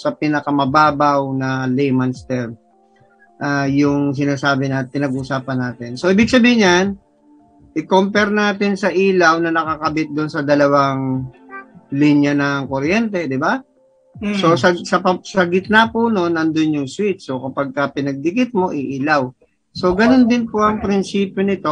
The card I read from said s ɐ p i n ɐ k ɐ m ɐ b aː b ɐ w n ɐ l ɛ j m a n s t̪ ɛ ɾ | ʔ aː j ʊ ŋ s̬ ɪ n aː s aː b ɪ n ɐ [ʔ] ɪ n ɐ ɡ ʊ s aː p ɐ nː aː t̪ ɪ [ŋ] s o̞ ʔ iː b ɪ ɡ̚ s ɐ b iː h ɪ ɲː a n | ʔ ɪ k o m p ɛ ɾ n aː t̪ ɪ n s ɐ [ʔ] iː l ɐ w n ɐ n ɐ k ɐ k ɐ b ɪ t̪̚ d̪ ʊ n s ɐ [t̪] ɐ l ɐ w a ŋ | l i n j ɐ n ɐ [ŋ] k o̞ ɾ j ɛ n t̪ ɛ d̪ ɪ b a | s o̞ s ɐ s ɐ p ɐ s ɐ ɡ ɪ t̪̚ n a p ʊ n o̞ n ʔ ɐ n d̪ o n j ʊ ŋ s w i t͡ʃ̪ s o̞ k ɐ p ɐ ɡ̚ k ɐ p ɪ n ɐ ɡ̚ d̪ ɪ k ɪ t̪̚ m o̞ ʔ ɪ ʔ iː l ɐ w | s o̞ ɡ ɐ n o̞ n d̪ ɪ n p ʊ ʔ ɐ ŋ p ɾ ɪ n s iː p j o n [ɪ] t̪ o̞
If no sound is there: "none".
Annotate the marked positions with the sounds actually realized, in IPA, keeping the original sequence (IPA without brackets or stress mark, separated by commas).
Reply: p, n, ʔ, d̪, ŋ, ɪ